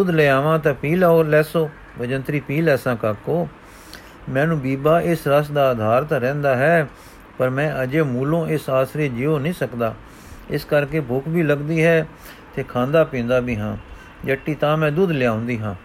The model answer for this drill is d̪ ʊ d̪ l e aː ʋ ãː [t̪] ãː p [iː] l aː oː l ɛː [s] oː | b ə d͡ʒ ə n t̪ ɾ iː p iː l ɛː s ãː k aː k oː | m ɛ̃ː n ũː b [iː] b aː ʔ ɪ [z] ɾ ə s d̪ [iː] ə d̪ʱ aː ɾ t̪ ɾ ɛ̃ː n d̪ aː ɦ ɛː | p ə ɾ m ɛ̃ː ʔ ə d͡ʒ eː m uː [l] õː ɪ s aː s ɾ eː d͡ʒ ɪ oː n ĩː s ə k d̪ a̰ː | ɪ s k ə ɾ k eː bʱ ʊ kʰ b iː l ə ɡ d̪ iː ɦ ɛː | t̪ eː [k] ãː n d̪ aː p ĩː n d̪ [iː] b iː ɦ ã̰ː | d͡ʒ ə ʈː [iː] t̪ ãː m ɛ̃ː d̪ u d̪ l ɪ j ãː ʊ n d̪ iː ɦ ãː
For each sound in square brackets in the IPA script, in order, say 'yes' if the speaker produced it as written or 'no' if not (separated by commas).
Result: yes, yes, yes, yes, no, no, yes, no, no, yes